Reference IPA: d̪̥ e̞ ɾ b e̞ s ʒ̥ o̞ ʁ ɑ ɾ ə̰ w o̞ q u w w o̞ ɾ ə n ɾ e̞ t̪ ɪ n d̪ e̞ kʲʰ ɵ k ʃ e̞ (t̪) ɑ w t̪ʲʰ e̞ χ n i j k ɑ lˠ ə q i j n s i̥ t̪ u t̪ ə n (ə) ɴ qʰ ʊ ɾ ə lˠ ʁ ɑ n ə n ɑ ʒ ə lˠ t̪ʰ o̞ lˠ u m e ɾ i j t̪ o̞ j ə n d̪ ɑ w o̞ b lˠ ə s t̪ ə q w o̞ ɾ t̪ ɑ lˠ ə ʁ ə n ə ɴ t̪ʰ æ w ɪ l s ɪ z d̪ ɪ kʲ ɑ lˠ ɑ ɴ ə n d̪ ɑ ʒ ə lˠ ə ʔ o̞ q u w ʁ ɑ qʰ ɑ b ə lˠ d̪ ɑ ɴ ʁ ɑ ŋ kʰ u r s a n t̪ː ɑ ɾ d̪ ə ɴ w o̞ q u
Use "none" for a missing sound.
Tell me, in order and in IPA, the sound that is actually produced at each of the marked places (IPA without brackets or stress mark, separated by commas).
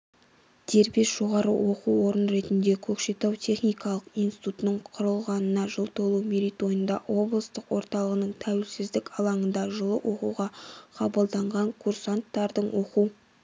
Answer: t̪, ə